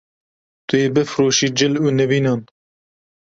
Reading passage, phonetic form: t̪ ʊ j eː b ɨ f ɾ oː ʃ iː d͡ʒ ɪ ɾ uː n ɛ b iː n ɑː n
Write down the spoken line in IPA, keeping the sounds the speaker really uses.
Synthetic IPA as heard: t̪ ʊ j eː b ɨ f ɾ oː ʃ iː d͡ʒ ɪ l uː n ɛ v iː n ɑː n